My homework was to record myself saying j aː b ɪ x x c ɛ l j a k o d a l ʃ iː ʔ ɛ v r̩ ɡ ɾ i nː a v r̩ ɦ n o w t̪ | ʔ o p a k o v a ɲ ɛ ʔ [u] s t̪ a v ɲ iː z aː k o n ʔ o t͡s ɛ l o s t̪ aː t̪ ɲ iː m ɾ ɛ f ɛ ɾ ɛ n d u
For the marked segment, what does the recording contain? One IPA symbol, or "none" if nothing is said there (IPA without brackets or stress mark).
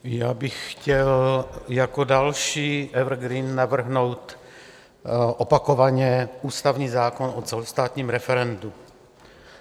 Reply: uː